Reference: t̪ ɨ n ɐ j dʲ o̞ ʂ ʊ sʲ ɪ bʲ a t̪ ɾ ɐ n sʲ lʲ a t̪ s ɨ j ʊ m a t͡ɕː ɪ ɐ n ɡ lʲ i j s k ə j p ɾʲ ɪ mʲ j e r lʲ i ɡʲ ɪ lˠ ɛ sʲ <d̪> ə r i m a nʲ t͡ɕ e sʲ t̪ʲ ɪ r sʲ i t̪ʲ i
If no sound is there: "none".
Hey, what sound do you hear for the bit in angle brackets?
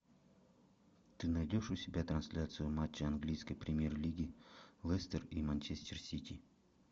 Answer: t̪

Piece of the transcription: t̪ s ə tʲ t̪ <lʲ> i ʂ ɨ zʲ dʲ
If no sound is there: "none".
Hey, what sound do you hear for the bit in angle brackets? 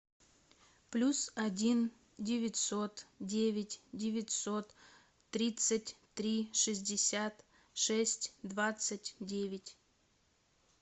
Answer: ɾʲ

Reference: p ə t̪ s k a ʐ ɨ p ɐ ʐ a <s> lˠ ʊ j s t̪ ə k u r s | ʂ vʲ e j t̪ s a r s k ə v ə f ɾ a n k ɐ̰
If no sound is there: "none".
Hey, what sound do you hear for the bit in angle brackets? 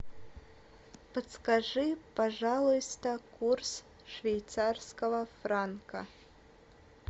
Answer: none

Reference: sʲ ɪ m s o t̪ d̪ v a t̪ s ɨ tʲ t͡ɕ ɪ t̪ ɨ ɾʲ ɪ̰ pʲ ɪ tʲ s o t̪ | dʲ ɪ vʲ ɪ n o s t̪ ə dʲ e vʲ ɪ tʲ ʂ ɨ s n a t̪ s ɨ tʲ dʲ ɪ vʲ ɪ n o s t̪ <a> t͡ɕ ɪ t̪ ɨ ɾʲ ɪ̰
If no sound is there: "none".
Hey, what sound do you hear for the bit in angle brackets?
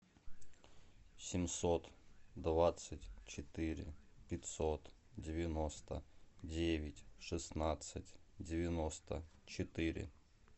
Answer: ə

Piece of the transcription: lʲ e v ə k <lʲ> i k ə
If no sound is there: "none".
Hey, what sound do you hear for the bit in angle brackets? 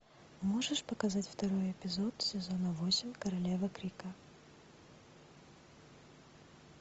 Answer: ɾʲ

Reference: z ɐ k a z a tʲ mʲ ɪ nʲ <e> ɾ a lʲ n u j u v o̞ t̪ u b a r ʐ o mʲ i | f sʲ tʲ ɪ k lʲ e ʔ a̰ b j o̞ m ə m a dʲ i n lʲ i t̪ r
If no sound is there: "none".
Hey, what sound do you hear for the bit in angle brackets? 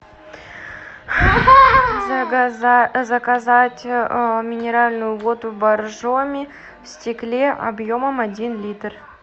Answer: e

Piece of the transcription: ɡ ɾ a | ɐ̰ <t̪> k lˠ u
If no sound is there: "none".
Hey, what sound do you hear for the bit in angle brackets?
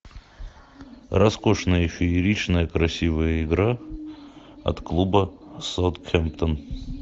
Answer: t̪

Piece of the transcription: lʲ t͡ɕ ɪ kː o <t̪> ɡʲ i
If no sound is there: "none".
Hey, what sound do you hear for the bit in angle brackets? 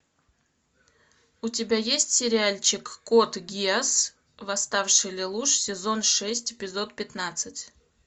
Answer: t̪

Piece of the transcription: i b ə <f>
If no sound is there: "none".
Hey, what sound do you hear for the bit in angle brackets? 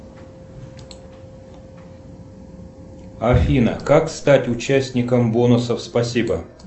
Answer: none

